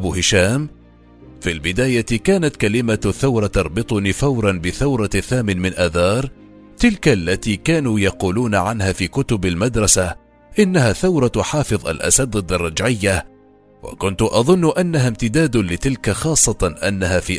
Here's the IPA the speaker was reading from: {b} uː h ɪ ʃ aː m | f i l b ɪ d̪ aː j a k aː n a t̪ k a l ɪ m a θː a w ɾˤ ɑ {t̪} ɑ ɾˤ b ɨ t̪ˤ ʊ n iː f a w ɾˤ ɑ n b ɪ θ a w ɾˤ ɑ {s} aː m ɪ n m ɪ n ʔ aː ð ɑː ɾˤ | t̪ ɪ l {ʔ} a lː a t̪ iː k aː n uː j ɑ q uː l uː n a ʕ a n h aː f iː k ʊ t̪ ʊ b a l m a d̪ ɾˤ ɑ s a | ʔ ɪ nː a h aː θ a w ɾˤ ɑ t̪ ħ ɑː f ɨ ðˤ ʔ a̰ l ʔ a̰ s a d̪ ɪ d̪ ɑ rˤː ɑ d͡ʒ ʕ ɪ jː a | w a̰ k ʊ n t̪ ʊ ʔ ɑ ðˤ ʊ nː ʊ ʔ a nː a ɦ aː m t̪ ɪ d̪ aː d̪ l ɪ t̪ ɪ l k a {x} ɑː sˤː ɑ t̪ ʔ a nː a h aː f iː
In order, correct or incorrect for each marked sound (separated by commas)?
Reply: correct, correct, incorrect, incorrect, correct